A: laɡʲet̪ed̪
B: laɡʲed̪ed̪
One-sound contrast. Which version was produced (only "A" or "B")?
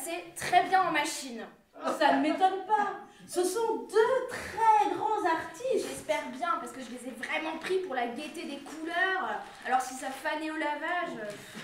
A